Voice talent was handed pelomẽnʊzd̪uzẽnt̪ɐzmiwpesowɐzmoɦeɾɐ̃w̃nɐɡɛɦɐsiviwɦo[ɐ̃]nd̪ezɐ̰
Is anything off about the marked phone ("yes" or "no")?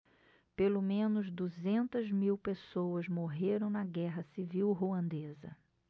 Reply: no